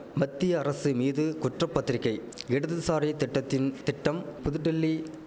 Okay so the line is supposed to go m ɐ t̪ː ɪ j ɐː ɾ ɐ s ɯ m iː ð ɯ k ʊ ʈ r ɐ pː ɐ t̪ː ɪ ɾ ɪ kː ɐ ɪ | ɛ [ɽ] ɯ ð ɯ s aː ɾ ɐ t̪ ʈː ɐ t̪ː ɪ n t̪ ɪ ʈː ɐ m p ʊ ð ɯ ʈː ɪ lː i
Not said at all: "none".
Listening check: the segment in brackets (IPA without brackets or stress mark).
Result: ɽ